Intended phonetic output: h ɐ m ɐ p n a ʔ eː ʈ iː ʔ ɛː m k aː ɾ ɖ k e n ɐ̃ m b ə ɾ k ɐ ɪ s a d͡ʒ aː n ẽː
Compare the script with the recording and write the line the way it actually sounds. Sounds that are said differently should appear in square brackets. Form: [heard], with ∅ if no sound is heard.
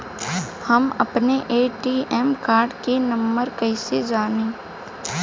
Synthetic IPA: h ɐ m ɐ p n [e] ʔ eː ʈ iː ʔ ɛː m k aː ɾ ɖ k e n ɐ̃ m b ə ɾ k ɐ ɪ s [e] d͡ʒ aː n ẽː